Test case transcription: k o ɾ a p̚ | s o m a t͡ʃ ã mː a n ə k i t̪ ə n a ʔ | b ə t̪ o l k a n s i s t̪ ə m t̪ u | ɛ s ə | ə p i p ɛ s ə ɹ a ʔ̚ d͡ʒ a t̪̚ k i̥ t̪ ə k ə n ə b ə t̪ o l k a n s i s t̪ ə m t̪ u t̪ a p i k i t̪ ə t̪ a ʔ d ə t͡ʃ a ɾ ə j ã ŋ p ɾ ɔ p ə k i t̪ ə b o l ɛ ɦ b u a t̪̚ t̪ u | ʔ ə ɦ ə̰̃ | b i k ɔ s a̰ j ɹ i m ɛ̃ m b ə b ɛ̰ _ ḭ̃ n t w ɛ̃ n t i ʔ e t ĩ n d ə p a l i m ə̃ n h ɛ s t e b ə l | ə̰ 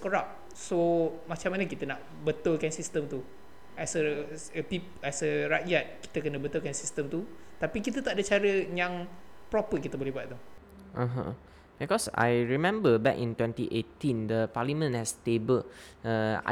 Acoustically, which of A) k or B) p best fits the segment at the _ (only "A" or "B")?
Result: A